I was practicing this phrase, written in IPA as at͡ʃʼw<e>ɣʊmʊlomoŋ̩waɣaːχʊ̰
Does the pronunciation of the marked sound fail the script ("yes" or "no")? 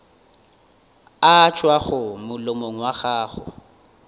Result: yes